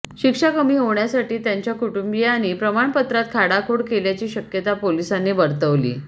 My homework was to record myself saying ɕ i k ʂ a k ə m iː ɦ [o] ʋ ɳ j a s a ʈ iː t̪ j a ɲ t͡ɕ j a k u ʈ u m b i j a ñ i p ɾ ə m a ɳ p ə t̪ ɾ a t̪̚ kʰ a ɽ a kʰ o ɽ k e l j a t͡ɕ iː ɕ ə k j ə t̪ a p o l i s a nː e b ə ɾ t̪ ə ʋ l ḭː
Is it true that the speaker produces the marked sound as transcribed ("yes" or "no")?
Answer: yes